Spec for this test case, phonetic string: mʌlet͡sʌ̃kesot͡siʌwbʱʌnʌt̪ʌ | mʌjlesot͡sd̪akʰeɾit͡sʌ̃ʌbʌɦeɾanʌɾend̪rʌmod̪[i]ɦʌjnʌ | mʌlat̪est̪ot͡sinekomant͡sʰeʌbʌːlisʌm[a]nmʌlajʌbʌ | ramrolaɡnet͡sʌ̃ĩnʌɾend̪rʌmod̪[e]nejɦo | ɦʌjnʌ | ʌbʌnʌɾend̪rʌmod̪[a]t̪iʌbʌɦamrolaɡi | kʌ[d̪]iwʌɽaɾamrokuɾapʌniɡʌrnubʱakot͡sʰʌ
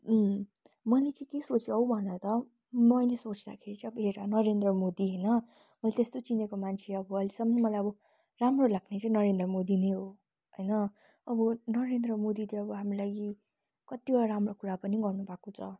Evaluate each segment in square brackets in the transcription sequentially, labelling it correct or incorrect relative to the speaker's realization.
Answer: correct, incorrect: ʌ, incorrect: i, incorrect: i, incorrect: t̪

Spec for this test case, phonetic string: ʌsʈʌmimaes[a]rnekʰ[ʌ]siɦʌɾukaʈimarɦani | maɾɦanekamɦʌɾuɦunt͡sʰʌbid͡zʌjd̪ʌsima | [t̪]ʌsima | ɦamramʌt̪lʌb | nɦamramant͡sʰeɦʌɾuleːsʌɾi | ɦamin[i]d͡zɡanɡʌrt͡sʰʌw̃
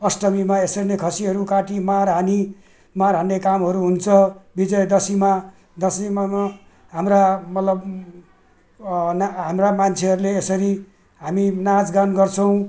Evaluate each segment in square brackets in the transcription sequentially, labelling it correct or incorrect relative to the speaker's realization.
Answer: incorrect: ʌ, correct, incorrect: d̪, incorrect: a

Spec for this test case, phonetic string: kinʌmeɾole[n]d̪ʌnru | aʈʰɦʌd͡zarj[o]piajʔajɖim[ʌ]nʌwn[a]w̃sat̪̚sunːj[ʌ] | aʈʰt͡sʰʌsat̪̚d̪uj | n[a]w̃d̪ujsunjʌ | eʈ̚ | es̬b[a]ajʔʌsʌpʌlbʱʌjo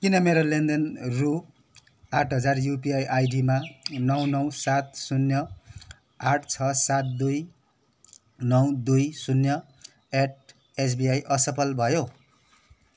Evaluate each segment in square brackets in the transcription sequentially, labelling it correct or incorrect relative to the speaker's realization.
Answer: correct, incorrect: u, incorrect: a, incorrect: ʌ, correct, incorrect: ʌ, incorrect: i

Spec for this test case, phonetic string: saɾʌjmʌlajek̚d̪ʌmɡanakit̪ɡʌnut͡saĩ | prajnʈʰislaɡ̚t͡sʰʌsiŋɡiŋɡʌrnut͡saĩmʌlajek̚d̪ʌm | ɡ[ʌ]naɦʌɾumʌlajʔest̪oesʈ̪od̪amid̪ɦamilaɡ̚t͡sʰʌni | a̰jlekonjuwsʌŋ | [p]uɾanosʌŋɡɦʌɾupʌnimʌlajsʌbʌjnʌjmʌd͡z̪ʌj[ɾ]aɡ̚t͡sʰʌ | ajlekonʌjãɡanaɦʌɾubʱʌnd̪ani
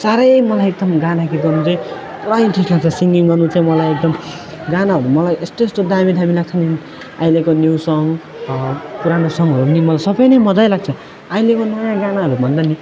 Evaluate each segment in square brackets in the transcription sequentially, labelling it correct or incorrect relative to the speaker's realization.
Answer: incorrect: a, correct, incorrect: l

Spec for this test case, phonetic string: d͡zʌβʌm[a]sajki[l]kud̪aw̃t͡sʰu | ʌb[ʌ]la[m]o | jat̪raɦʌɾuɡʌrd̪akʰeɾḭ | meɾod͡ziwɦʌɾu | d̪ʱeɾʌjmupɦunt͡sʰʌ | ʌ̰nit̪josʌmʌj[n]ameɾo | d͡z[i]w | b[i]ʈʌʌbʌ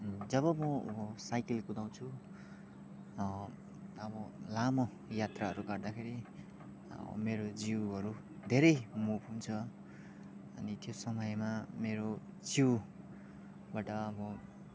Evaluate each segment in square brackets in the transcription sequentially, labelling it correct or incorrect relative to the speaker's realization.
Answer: incorrect: ʌ, correct, correct, correct, incorrect: m, correct, incorrect: a

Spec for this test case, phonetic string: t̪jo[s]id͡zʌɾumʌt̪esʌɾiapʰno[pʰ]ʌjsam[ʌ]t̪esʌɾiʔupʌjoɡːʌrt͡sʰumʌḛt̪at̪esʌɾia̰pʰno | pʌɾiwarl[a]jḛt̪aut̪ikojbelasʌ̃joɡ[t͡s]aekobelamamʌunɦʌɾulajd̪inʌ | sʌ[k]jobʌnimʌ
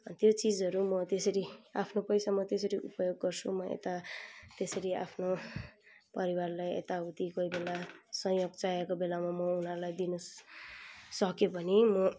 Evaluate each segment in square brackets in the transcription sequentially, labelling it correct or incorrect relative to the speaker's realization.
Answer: incorrect: t͡s, incorrect: p, correct, correct, correct, correct

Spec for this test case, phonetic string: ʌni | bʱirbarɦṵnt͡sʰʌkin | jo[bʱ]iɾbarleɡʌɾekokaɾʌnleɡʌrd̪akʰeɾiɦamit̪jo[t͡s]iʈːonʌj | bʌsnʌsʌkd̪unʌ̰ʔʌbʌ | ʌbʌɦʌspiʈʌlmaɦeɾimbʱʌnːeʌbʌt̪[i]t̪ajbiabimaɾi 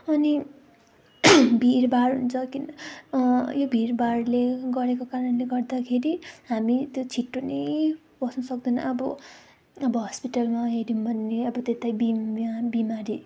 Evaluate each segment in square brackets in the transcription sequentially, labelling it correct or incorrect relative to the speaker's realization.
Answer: correct, incorrect: t͡sʰ, incorrect: e

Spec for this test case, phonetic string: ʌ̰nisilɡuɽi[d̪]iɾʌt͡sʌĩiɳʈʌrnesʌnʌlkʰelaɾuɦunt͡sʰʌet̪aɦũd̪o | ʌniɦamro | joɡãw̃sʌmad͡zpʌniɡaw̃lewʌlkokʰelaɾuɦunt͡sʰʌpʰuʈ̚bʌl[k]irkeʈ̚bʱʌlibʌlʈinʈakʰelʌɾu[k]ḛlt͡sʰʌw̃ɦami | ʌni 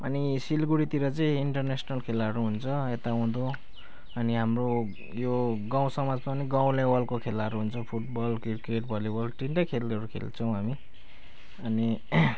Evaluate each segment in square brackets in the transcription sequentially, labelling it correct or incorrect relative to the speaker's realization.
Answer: incorrect: t̪, correct, incorrect: kʰ

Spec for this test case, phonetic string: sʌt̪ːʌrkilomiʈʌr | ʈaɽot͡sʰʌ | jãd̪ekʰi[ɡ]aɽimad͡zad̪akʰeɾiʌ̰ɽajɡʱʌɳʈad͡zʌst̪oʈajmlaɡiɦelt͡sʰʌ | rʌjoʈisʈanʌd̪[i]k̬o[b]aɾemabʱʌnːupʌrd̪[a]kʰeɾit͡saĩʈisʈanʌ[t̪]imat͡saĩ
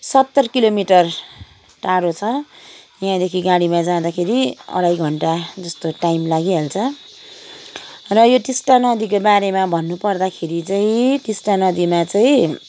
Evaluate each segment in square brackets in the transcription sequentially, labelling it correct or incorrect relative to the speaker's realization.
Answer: correct, correct, correct, correct, incorrect: d̪

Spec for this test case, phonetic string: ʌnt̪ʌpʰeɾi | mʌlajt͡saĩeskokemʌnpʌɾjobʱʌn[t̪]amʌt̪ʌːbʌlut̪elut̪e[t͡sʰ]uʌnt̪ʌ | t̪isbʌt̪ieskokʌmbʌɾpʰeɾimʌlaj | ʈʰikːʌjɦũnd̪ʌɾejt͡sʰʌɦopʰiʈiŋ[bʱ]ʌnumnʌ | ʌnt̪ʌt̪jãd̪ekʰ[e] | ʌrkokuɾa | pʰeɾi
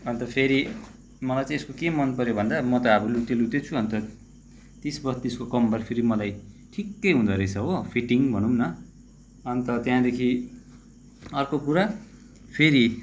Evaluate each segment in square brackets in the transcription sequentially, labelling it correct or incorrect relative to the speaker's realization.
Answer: incorrect: d̪, correct, correct, incorrect: i

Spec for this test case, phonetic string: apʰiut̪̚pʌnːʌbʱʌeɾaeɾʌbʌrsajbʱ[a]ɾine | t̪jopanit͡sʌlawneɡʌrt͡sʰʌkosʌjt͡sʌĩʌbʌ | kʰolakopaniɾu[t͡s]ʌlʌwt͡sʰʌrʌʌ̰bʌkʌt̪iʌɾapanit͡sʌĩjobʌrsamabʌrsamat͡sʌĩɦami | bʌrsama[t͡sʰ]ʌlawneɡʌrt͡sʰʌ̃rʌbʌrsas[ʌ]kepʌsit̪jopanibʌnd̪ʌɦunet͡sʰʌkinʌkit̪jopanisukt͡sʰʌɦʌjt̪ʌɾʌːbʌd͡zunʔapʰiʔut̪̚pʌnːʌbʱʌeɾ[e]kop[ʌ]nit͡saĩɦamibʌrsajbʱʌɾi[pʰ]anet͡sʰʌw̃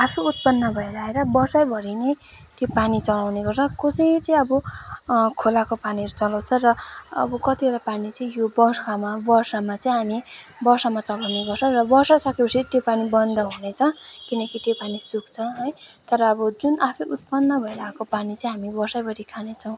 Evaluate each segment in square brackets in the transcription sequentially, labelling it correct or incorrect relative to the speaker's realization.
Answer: incorrect: ʌ, correct, incorrect: t͡s, correct, incorrect: a, incorrect: a, incorrect: kʰ

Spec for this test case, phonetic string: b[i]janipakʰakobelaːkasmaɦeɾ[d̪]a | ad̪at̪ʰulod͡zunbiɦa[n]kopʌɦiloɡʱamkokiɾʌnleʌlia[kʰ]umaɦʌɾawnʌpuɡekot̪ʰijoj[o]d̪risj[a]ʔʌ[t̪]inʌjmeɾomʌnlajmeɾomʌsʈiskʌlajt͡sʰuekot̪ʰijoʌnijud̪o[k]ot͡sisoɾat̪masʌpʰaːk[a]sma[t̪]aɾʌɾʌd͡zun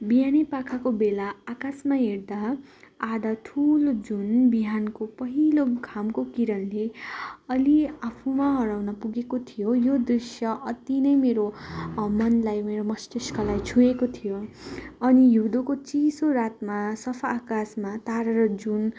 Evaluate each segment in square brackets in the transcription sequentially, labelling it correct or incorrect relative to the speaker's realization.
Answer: correct, correct, correct, incorrect: pʰ, correct, incorrect: ʌ, correct, correct, correct, correct

